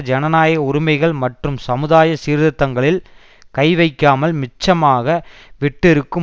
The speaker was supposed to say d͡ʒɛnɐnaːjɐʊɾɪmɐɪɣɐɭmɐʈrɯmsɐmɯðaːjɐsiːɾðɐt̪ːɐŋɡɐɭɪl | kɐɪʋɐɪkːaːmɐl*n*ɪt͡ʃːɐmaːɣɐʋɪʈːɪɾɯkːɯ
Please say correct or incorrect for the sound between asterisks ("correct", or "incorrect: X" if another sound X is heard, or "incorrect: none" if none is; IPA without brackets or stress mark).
incorrect: m